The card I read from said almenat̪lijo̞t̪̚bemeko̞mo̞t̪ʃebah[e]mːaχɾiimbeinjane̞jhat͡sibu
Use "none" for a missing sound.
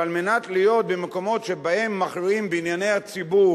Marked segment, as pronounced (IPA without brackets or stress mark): e